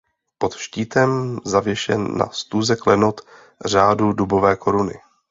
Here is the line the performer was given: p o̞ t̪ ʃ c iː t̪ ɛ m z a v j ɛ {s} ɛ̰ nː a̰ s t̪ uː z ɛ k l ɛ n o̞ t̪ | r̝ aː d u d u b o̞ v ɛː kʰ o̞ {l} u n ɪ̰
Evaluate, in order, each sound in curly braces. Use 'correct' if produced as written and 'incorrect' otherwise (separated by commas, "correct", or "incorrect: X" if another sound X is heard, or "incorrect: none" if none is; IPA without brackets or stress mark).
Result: incorrect: ʃ, incorrect: ɾ